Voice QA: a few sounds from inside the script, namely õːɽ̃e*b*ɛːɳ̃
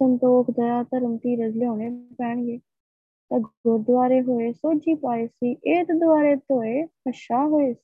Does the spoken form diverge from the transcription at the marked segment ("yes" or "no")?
yes